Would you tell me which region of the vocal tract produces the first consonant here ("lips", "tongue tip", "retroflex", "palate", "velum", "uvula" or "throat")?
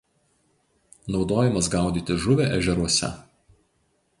tongue tip